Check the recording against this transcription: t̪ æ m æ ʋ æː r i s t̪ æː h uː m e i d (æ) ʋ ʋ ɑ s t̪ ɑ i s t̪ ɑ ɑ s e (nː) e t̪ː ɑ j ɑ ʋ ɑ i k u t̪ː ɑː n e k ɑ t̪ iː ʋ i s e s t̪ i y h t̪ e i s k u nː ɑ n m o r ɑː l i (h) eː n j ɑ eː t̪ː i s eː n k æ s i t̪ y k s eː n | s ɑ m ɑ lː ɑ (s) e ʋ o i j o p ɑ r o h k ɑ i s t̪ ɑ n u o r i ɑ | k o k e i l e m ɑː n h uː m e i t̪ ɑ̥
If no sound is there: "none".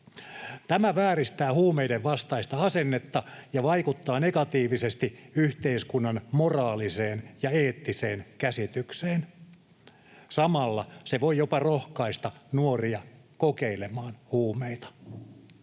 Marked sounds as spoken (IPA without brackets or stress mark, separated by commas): e, nː, s, s